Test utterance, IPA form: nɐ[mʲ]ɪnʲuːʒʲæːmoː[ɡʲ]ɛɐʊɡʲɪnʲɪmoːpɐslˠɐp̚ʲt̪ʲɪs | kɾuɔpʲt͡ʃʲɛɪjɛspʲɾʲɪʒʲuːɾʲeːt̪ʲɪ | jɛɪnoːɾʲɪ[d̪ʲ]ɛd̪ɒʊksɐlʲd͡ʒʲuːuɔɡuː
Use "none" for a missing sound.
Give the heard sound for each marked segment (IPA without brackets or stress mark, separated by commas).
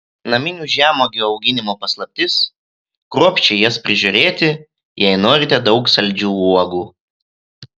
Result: mʲ, ɡʲ, t̪ʲ